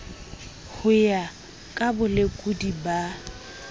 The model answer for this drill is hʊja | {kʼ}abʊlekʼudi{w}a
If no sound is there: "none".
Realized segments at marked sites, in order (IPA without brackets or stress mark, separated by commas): kʼ, b